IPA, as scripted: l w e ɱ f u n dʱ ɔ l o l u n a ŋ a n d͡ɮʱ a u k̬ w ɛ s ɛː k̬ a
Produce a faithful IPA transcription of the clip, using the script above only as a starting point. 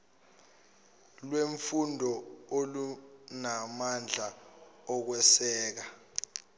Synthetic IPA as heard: l w e ɱ f u n dʱ ɔ o l u n a m a n d͡ɮʱ a ɔ k̬ w ɛ s ɛː k̬ a

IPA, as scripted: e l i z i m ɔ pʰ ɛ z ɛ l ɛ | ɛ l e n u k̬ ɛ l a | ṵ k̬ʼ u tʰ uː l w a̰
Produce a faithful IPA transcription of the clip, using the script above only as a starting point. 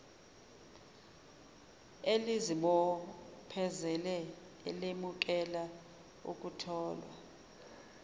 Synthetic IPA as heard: e l i z i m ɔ pʰ ɛ z ɛ l ɛ | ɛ l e m u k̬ ɛ l a | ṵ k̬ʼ u tʰ ɔː l w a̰

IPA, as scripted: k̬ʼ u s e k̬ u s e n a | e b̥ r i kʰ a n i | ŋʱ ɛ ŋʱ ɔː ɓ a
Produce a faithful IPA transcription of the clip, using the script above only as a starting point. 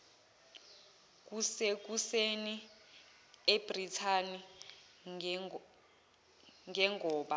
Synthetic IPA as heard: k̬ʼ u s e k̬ u s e n i | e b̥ r i tʰ a n i | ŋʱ ɛ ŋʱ ɔː ɓ a

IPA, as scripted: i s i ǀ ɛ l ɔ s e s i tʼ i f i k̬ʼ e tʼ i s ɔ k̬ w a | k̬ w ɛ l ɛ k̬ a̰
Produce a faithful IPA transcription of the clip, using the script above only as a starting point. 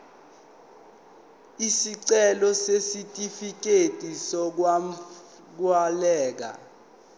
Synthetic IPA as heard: i s i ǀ ɛ l ɔ s e s i tʼ i f i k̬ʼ e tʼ i s ɔ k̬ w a | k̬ w a l ɛː k̬ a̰

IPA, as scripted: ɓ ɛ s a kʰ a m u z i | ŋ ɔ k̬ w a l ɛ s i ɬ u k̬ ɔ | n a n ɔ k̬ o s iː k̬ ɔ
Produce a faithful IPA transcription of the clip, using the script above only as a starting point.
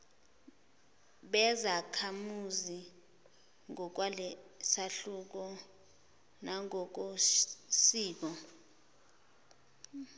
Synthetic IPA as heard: ɓ ɛ z a kʰ a m u z i | ŋ ɔ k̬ w a l ɛ s a ɬ u k̬ ɔ | n a ŋ ɔ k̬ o s iː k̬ ɔ

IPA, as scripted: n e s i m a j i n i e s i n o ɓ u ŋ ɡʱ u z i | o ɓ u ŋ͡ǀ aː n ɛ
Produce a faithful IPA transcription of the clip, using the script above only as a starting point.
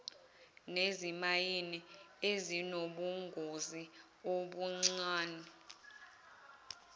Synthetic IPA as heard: n e z i m a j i n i e z i n o ɓ u ŋ ɡʱ o z i | o ɓ u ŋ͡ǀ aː n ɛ

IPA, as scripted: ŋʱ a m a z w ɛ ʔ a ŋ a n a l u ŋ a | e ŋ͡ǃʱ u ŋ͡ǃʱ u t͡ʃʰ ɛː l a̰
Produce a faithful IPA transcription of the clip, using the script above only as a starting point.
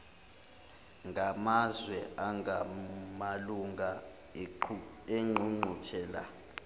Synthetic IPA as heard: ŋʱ a m a z w ɛ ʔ a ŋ a m a l u ŋ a | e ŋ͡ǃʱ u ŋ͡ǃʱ u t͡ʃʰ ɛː l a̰

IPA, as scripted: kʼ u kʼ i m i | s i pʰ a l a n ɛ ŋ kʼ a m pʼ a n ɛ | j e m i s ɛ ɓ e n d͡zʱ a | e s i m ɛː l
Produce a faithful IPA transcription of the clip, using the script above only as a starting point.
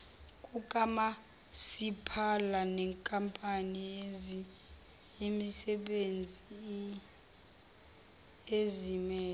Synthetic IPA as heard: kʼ u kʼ a m a | s i pʰ a l a n ɛ ŋ kʼ a m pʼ a n i | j e m i s ɛ ɓ e n d͡zʱ i | e z i m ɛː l

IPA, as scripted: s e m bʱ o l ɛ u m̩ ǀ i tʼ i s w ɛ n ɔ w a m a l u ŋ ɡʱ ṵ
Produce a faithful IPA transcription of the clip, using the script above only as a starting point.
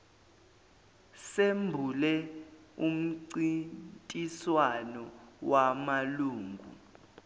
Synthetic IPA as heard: s e m bʱ u l ɛ u m̩ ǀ i tʼ i s w a n ɔ w a m a l uː ŋ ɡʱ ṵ

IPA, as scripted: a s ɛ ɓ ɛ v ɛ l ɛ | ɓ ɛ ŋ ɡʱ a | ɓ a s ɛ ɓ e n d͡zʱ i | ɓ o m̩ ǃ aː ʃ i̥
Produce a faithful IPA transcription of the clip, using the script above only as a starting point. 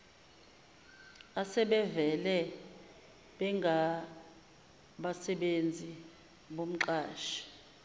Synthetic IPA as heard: a s ɛ ɓ ɛ v ɛ l ɛ | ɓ ɛ ŋ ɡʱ a | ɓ a s ɛ ɓ e n d͡zʱ i | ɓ o m̩ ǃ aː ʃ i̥

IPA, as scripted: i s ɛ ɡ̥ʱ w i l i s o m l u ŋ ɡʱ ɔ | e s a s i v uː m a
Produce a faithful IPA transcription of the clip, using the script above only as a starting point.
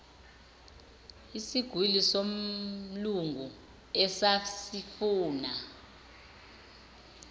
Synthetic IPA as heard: i s i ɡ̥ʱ w i l i s o m l u ŋ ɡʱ u | ɛ s a s i f uː n a

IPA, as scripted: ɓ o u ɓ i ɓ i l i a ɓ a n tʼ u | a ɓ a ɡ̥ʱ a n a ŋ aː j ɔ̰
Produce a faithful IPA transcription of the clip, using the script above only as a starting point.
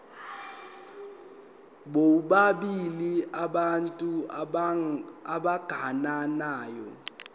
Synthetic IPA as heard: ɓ o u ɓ a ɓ i l i a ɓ a n tʼ u | a ɓ a ɡ̥ʱ a n a n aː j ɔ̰

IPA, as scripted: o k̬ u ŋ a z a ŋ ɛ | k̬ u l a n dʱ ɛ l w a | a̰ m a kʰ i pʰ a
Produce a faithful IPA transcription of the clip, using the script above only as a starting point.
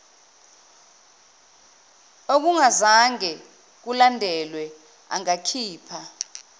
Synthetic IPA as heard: o k̬ u ŋ a z a ŋ ɛ | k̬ u l a n dʱ ɛ l w ɛ | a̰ ŋ a kʰ iː pʰ a

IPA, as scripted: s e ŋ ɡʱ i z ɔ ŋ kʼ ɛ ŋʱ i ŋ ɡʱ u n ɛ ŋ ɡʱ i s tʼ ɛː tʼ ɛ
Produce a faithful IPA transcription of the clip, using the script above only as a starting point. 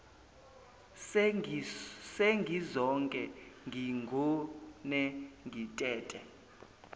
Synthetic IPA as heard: s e ŋ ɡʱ i z ɔ ŋ kʼ ɛ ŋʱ i ŋ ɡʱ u n ɛ ŋ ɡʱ i tʼ ɛː tʼ ɛ

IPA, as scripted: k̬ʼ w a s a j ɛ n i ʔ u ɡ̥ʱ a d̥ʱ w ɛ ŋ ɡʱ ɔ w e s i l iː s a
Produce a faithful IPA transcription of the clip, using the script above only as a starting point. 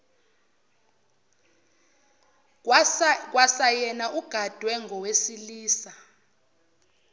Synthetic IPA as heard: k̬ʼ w a s a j ɛ n a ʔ u ɡ̥ʱ a d̥ʱ w ɛ ŋ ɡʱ ɔ w e s i l iː s a

